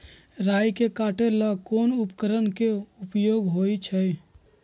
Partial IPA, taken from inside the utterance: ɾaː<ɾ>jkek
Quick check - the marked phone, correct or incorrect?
incorrect